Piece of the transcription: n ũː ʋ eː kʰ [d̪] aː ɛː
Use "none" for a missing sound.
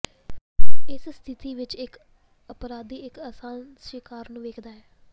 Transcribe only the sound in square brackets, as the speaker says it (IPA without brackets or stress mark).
d̪